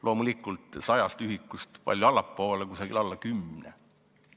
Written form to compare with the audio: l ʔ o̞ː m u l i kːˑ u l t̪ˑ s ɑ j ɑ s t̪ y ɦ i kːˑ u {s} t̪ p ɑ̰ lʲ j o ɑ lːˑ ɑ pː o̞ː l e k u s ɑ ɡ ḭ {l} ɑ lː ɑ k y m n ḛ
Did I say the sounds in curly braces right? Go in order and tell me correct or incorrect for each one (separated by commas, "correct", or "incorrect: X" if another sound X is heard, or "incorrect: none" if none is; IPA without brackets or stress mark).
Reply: correct, correct